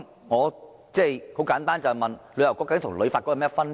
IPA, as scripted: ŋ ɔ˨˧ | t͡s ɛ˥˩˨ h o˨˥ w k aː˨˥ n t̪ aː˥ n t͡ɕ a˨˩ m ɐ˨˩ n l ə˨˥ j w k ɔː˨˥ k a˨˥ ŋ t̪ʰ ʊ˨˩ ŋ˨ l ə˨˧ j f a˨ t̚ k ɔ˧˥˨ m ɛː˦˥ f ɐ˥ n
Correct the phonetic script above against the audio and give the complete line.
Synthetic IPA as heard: ŋ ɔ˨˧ | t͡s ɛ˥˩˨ h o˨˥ w k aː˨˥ n t̪ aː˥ n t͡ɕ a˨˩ m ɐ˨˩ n l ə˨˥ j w k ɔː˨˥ k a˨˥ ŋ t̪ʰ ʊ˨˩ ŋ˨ l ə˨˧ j f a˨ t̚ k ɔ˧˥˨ m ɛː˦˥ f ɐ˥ n